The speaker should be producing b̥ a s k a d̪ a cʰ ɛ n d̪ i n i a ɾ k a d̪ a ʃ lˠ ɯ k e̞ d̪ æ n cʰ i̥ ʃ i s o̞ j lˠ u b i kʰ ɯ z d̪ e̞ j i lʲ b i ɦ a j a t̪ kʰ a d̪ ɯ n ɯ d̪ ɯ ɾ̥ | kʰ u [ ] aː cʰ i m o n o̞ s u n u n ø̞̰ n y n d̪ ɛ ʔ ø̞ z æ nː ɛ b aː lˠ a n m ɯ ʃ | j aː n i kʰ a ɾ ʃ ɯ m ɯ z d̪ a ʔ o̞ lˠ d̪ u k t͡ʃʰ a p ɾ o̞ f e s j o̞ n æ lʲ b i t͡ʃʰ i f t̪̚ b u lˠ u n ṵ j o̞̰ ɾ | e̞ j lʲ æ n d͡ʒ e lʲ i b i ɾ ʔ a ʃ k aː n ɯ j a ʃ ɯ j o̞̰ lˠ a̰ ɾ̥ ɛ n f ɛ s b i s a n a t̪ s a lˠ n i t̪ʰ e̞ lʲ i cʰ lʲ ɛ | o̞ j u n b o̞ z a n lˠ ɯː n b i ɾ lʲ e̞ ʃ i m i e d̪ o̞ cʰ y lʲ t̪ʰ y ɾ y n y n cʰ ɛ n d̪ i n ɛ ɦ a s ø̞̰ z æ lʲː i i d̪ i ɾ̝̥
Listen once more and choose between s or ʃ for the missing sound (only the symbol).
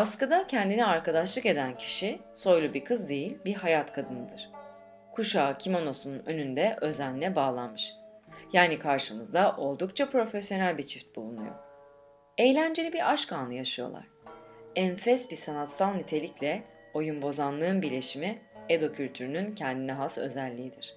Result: ʃ